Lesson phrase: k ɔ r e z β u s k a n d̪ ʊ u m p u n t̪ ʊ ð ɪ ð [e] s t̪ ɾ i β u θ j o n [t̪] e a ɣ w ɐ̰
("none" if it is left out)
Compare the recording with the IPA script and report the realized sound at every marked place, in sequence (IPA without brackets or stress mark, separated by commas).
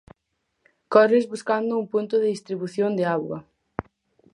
i, d̪